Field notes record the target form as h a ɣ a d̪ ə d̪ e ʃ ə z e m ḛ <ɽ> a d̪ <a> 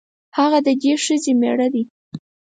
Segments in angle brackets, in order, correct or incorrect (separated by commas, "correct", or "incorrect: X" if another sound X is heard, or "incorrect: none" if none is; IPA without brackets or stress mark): correct, incorrect: i